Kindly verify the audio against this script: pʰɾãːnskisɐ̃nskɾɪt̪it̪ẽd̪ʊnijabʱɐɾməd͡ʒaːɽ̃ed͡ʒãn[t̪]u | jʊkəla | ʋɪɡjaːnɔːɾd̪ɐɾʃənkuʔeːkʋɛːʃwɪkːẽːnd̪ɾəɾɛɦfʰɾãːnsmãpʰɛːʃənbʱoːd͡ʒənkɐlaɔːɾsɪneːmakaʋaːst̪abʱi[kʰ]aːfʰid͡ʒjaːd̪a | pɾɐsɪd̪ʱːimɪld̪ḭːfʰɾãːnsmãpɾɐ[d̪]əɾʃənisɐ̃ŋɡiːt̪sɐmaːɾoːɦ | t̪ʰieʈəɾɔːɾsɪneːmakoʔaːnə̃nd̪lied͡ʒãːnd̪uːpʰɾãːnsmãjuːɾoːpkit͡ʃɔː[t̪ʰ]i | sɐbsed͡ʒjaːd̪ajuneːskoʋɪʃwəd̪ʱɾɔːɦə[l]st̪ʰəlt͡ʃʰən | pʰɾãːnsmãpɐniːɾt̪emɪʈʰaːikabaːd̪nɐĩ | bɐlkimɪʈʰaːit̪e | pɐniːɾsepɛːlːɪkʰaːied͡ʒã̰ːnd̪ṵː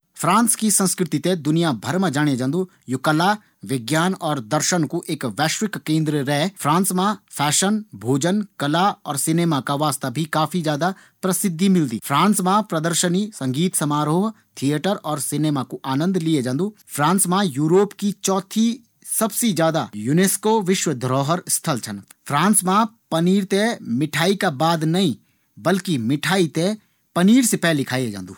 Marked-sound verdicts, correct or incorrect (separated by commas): incorrect, incorrect, correct, correct, incorrect